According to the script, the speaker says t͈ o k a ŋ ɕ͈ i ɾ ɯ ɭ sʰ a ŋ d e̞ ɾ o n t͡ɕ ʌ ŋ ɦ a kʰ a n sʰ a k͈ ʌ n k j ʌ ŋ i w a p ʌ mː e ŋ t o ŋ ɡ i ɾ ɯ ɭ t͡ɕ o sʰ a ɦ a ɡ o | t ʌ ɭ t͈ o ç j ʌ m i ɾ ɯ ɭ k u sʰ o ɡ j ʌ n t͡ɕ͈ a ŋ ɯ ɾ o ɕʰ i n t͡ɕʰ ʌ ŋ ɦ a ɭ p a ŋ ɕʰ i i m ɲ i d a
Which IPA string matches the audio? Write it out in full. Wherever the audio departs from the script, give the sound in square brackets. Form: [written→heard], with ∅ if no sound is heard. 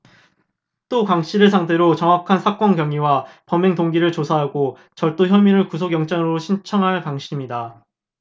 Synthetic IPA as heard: t͈ o k a ŋ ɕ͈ i ɾ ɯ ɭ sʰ a ŋ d e̞ ɾ o [n→∅] t͡ɕ ʌ ŋ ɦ a kʰ a n sʰ a k͈ ʌ n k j ʌ ŋ i w a p ʌ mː e ŋ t o ŋ ɡ i ɾ ɯ ɭ t͡ɕ o sʰ a ɦ a ɡ o | [t→t͡ɕ] ʌ ɭ t͈ o ç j ʌ m i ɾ ɯ ɭ k u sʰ o ɡ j ʌ [n→ŋ] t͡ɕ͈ a ŋ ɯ ɾ o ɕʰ i n t͡ɕʰ ʌ ŋ ɦ a ɭ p a ŋ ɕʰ i i m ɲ i d a